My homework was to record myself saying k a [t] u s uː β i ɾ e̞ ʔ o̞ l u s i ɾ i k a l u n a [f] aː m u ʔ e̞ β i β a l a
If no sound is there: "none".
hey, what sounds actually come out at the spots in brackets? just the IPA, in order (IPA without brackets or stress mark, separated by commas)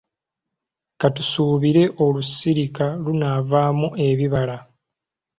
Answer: t, v